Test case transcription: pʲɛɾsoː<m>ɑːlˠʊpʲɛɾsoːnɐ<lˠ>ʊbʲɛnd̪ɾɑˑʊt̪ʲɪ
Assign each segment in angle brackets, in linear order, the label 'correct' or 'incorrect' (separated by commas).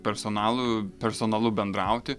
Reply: incorrect, correct